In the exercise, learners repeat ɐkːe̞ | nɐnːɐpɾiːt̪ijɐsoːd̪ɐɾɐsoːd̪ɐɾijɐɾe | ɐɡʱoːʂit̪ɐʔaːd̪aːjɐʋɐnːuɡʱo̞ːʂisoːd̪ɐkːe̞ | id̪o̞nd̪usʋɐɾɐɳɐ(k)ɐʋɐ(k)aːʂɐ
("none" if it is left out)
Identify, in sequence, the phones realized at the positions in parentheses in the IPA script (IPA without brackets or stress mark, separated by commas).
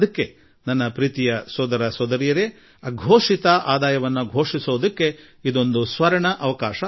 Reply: ʔ, k